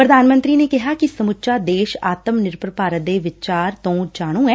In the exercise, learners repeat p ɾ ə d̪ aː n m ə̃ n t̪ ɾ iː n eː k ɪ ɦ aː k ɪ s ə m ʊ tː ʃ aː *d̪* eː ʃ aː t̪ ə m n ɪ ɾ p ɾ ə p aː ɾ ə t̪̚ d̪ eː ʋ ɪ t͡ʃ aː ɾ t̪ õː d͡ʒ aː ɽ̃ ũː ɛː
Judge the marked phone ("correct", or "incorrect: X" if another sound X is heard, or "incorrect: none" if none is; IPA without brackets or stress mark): correct